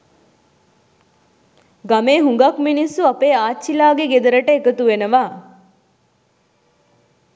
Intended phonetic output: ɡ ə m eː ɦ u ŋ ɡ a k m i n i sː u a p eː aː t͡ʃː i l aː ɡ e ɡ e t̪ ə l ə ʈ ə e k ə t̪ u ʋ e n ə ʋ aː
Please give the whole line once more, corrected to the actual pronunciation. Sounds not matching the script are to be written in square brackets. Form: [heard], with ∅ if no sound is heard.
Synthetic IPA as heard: ɡ [a] m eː ɦ u ŋ ɡ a k m i n i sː u a p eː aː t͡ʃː i l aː ɡ e ɡ e [d̪] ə [ɾ] ə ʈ ə e k ə t̪ u ʋ e n ə ʋ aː